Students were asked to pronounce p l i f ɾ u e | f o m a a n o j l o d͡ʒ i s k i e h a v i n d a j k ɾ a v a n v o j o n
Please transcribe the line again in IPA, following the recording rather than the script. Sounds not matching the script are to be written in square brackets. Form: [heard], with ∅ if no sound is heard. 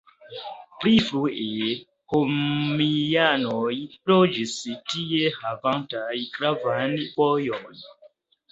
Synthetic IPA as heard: p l i f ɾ u e | [h] o m [i] a n o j l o d͡ʒ i s [t] i e h a v [a] n [t] a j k ɾ a v a n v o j o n